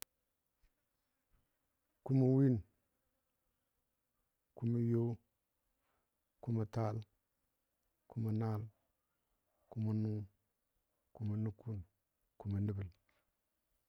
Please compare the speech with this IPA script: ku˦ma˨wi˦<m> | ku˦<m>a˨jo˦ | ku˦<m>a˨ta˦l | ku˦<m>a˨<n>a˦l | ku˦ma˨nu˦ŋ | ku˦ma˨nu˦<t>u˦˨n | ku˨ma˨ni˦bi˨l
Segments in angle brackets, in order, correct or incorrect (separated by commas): incorrect, correct, correct, correct, correct, incorrect